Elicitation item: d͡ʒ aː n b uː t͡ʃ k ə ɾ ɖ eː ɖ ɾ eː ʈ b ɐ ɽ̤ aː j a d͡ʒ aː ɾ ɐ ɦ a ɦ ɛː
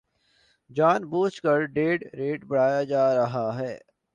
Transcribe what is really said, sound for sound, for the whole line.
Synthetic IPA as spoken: d͡ʒ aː n b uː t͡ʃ k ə ɾ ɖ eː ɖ ɾ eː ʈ b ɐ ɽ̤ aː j a d͡ʒ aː ɾ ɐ ɦ a ɦ ɛː